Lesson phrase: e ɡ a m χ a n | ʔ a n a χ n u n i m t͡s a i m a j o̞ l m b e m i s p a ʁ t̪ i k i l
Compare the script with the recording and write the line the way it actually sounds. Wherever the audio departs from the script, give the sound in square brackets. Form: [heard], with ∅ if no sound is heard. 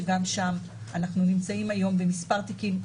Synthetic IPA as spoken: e ɡ a m [ʃ] a [m] | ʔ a n a χ n u n i m t͡s a i m a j o̞ [∅] m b e m i s p a ʁ t̪ i k i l